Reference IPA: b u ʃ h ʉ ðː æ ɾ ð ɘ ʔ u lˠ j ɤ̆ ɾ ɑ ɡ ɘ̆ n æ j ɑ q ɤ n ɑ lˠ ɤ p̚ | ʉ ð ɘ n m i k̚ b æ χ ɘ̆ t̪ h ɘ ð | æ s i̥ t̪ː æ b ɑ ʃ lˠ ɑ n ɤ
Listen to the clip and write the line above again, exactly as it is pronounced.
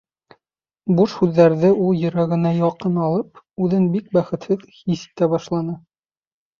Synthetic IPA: b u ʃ h ʉ ðː æ ɾ ð ɘ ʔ u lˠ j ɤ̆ ɾ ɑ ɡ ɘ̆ n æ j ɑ q ɤ n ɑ lˠ ɤ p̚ | ʉ ð ɘ n b i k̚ b æ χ ɘ̆ t̪ h ɘ ð | i s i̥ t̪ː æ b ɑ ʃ lˠ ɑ n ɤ